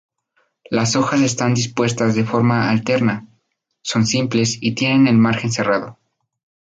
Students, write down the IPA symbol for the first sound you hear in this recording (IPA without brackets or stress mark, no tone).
l